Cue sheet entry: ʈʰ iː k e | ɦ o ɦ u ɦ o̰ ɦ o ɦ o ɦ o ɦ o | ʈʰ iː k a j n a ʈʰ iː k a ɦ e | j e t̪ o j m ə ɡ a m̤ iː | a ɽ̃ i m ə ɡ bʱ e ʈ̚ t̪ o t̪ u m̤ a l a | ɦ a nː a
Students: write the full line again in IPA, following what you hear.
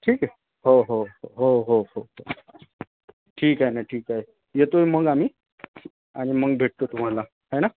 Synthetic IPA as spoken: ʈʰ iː k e | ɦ o ɦ o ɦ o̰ ɦ o ɦ o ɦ o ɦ o | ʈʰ iː k a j n a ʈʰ iː k a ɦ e | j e t̪ o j m ə ɡ a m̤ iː | a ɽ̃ i m ə ɡ bʱ e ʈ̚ t̪ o t̪ u m̤ a l a | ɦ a n a